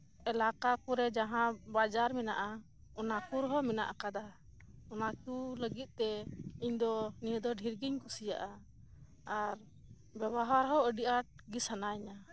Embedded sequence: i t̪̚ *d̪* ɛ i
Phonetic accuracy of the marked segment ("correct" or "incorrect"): incorrect